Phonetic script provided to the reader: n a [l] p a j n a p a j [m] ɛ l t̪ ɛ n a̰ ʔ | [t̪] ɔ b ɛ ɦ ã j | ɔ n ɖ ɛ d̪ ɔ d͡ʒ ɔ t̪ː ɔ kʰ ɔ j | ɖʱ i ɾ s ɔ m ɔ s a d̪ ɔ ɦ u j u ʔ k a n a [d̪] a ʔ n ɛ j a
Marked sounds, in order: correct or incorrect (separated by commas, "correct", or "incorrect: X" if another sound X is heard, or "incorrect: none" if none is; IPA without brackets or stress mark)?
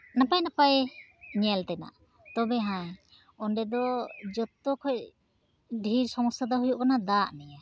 incorrect: none, incorrect: ɲ, correct, correct